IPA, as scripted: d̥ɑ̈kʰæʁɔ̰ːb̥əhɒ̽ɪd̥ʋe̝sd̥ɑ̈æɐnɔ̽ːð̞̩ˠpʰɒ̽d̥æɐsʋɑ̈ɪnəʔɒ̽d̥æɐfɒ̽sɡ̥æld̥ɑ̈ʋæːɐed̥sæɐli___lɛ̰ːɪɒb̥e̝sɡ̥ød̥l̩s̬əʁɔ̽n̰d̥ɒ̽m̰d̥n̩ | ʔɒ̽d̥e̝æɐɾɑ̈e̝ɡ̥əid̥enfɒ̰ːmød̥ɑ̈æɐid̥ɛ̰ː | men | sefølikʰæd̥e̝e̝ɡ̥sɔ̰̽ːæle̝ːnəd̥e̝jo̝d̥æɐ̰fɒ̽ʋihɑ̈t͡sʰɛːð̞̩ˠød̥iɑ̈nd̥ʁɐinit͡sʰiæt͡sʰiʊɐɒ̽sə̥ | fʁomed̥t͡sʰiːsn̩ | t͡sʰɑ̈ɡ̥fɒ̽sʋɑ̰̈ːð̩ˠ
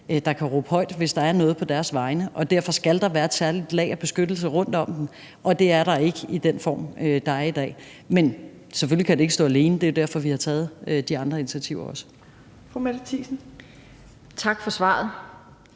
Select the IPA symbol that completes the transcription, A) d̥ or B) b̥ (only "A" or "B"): A